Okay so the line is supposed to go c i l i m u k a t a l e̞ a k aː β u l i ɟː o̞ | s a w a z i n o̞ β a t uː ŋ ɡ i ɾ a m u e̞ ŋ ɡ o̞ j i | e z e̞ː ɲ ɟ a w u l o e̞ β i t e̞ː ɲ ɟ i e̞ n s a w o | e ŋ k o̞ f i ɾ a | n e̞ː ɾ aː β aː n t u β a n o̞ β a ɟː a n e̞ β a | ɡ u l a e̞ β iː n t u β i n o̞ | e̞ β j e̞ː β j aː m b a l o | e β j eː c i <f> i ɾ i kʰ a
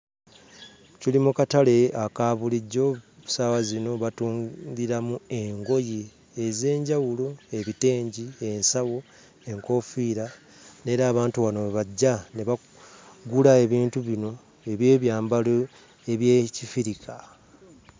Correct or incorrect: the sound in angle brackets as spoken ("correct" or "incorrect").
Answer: correct